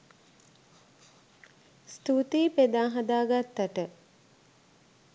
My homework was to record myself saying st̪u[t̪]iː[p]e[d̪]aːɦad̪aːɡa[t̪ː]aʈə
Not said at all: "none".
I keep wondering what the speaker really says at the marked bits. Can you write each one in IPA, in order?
t̪, p, d̪, t̪ː

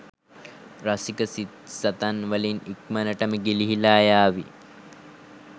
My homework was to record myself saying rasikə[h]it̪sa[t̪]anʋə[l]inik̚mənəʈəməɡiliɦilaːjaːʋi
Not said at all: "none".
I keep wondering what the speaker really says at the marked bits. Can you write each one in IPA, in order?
s, t̪, l

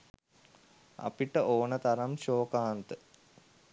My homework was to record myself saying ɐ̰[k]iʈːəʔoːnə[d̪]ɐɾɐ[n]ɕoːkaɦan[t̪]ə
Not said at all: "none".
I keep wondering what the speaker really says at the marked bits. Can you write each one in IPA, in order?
p, t̪, m, t̪

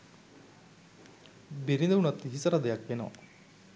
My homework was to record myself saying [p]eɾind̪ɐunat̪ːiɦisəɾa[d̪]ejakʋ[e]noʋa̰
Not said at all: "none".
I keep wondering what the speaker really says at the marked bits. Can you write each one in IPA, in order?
b, d̪, e

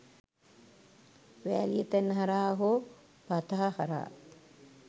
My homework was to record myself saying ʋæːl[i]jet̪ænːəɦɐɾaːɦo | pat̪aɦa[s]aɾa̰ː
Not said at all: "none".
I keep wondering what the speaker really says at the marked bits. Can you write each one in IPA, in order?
i, h

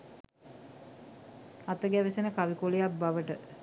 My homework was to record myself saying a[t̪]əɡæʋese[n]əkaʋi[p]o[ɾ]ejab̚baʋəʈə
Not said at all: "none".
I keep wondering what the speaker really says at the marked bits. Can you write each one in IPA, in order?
t̪, n, k, l

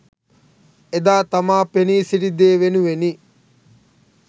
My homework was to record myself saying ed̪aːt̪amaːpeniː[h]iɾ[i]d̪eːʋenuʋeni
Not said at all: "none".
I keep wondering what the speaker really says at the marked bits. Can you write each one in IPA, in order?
s, i

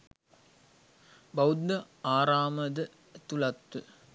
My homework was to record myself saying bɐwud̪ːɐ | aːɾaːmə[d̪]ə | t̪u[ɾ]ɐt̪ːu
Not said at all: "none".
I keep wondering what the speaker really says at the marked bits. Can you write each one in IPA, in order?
d̪, l

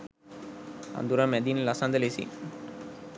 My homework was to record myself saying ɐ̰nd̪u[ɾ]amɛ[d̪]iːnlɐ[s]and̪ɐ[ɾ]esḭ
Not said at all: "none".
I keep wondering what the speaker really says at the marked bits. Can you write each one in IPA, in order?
ɾ, d̪, s, l

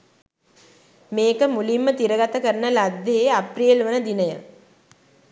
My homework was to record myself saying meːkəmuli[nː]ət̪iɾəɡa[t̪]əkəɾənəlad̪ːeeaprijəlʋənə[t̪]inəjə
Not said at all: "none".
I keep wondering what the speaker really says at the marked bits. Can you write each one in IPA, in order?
mː, t̪, d̪

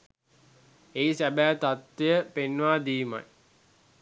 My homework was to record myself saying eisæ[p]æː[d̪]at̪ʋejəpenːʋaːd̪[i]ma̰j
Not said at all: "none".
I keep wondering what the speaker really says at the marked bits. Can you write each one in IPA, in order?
b, t̪, iː

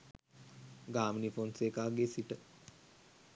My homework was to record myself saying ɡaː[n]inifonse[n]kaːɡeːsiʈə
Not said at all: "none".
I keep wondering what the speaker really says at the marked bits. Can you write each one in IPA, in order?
m, none

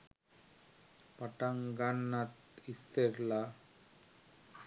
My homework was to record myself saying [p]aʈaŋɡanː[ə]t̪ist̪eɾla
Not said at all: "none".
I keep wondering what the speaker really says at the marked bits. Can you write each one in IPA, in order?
p, a

